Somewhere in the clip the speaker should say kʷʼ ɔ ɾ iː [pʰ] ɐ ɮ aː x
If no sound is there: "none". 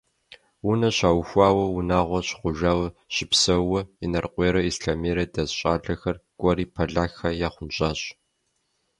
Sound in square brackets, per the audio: pʰ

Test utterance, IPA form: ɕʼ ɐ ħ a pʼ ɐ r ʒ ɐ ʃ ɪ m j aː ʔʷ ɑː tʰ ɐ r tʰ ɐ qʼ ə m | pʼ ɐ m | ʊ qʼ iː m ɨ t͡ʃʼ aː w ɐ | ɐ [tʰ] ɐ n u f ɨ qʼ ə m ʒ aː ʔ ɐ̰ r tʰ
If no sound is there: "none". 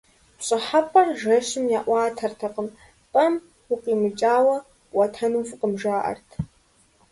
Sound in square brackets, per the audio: tʰ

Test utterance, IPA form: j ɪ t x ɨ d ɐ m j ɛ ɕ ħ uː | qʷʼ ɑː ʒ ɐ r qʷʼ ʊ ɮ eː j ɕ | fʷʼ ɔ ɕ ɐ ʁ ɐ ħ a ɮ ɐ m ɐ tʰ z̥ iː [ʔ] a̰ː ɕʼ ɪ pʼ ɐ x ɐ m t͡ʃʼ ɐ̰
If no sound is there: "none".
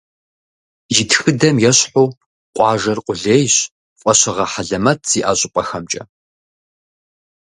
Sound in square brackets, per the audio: ʔ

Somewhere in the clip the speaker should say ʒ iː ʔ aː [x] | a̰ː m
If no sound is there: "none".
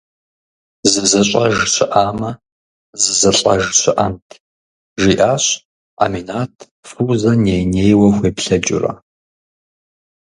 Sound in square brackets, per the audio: ɕ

